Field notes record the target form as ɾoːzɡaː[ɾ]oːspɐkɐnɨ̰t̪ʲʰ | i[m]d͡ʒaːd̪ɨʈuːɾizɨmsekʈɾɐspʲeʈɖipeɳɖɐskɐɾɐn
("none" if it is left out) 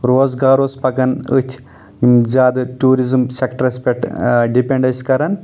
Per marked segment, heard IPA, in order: ɾ, m

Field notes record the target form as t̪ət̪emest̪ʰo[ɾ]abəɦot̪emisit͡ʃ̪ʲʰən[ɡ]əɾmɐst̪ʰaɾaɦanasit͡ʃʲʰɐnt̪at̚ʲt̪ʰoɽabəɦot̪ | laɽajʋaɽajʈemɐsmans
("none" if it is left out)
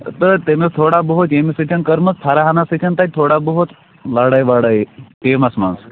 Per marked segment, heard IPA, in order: ɽ, k

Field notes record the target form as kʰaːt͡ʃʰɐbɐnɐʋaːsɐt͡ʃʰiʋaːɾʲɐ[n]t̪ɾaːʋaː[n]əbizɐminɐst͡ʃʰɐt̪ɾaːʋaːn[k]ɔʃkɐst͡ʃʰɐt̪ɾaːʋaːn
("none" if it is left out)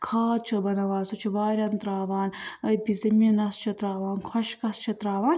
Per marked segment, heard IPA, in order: n, n, kʰ

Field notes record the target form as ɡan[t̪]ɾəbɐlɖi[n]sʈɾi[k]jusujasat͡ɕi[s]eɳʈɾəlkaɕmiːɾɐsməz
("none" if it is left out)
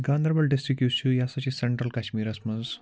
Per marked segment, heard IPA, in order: d̪, none, k, s

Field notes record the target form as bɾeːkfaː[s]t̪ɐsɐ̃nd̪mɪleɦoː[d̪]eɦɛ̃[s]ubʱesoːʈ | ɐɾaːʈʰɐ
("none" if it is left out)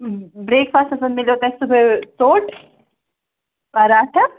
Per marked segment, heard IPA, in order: s, t̪, s

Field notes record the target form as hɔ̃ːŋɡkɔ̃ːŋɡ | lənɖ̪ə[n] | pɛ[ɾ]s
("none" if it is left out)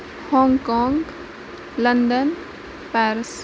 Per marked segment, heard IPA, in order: n, ɾ

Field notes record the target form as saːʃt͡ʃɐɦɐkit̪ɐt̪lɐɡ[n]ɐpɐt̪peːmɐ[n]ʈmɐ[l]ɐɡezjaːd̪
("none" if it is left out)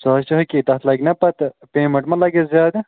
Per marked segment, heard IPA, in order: n, ɳ, l

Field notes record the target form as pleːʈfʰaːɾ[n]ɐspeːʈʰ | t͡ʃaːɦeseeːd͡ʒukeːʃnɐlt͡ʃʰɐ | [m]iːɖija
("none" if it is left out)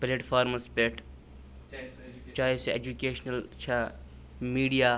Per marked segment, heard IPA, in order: m, m

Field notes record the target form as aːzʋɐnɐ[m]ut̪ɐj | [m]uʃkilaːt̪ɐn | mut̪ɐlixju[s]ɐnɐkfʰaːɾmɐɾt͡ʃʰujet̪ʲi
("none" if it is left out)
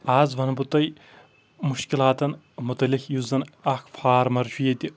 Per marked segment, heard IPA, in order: b, m, z

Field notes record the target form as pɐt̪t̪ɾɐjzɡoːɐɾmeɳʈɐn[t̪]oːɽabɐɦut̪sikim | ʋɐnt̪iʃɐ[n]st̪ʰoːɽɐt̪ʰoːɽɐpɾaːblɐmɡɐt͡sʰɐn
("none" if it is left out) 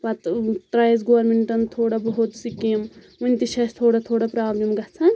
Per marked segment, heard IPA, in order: t̪ʰ, none

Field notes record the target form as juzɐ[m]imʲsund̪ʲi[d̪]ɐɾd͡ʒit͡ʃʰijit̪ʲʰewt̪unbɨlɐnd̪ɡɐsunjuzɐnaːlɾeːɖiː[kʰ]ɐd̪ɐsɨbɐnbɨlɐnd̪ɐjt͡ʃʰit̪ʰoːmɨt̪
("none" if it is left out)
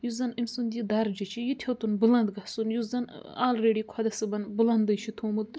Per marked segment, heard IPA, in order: n, d̪, kʰ

